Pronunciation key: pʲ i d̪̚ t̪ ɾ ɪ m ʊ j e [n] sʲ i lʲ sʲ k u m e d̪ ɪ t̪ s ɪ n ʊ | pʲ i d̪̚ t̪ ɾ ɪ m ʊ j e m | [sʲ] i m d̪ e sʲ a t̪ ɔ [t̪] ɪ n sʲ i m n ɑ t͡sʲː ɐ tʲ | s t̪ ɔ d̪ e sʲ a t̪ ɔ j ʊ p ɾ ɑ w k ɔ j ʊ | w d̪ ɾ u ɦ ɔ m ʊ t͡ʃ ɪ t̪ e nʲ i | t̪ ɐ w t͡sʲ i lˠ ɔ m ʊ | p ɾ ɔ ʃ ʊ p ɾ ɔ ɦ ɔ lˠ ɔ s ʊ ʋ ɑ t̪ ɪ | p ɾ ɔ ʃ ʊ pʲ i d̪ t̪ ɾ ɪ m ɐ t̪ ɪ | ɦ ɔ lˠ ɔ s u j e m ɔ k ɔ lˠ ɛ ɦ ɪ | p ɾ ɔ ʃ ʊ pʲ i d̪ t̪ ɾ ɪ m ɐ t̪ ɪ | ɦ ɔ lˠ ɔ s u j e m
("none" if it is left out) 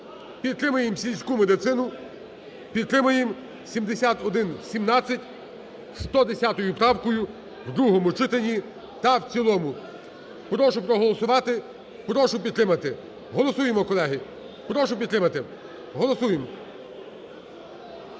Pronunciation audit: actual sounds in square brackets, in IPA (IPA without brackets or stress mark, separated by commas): m, sʲ, d̪